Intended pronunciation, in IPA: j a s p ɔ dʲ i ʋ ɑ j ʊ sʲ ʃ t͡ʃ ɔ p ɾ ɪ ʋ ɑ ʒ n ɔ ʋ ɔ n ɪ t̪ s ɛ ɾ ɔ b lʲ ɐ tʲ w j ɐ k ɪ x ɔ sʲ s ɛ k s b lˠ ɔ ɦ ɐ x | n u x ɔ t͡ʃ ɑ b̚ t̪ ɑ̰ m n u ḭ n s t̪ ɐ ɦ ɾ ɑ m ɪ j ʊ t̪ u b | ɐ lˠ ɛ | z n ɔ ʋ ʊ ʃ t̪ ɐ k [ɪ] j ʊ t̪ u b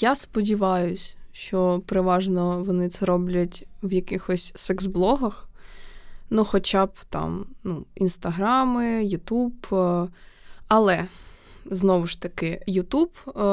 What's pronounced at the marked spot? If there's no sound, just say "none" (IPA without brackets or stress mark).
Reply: ɪ